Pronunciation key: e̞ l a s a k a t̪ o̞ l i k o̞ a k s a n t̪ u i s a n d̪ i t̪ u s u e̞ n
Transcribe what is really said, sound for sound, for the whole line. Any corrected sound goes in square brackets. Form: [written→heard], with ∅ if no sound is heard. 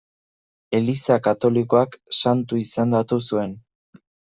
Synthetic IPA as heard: e̞ l [a→i] s a k a t̪ o̞ l i k o̞ a k s a n t̪ u i s a n d̪ [i→a] t̪ u s u e̞ n